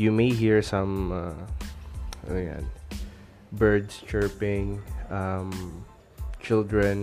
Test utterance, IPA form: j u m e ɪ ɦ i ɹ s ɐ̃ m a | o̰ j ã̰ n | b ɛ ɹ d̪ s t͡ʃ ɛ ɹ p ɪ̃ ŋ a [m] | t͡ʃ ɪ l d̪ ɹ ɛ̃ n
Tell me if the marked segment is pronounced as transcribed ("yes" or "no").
yes